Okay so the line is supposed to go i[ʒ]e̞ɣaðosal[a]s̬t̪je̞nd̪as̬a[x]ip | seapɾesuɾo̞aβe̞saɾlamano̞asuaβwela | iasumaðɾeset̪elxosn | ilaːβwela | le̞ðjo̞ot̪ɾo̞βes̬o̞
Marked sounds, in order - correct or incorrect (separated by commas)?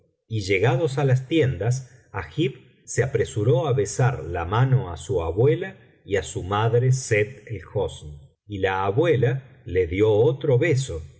correct, correct, correct